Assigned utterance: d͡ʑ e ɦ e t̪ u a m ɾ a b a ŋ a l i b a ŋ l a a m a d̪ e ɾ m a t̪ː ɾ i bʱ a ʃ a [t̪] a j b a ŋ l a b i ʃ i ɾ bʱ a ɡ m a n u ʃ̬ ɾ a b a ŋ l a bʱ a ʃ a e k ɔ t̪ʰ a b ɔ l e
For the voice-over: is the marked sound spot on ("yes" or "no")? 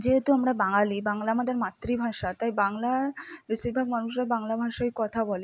yes